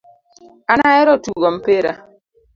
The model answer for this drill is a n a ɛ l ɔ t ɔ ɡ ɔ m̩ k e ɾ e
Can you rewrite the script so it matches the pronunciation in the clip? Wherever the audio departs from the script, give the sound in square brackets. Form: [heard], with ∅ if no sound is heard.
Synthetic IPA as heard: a n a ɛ [ɾ] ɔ t [u] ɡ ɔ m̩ [p] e ɾ [a]